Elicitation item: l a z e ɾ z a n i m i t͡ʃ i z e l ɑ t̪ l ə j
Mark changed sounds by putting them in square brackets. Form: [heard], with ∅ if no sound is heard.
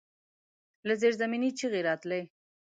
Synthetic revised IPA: l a z e ɾ z a [m] i [n] i t͡ʃ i [ɣ] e [ɾ] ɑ t̪ l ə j